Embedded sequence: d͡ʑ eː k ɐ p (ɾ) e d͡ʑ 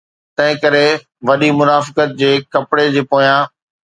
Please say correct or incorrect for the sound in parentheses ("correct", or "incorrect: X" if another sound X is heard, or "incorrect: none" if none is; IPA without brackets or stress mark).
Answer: incorrect: ɽ